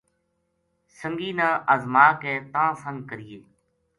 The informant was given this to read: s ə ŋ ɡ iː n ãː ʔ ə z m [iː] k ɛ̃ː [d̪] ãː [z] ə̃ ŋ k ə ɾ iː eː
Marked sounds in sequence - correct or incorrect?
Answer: incorrect: aː, incorrect: t̪, incorrect: s

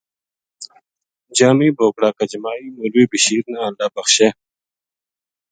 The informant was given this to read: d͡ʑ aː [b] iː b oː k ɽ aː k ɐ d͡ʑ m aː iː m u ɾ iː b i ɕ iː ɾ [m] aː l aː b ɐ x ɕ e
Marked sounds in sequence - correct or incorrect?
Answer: incorrect: m, incorrect: n

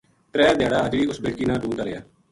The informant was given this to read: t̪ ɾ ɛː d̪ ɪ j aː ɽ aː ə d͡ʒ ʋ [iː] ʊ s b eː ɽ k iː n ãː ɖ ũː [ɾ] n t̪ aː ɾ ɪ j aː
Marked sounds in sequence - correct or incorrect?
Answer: correct, incorrect: none

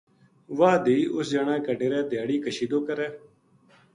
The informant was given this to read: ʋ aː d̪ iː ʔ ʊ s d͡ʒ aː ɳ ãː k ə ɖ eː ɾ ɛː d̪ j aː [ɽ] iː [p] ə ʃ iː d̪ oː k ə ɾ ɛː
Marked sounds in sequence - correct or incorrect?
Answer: correct, incorrect: k

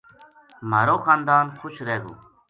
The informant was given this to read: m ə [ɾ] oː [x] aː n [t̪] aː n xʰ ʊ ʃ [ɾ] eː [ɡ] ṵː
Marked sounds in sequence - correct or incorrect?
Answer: correct, correct, incorrect: d̪, correct, correct

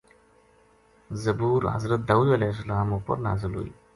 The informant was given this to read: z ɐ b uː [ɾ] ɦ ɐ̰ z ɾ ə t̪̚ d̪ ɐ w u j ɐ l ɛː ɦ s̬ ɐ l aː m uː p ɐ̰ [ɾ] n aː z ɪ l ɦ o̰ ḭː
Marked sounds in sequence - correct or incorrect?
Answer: correct, correct

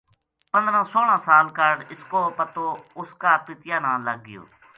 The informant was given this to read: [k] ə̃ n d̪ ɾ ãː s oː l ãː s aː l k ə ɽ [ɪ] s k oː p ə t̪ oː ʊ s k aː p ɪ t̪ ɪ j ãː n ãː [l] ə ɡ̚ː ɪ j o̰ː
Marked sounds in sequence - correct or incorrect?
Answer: incorrect: p, correct, correct

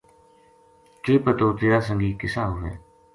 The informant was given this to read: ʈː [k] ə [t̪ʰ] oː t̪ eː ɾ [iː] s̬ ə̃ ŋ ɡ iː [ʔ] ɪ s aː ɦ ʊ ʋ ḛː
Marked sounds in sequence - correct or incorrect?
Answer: incorrect: p, incorrect: t̪, incorrect: aː, incorrect: k

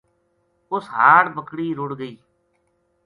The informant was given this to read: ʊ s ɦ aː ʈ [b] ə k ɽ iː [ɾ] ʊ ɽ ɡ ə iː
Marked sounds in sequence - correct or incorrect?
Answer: correct, correct

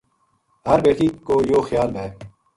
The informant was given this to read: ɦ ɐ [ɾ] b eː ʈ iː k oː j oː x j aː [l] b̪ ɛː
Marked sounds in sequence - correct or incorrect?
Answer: correct, correct

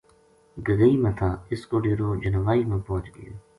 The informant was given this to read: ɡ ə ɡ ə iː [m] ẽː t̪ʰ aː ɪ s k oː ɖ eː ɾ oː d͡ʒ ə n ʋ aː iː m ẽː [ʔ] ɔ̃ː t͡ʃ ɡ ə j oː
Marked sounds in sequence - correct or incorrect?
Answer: correct, incorrect: p

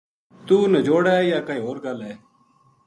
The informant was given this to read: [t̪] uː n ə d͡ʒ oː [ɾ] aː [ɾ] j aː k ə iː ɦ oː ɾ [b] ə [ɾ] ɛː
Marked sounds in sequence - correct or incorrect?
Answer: correct, incorrect: ɽ, incorrect: none, incorrect: ɡ, incorrect: l

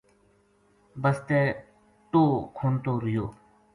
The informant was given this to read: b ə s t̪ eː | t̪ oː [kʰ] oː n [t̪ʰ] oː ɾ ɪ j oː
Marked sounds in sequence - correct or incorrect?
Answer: correct, incorrect: t̪

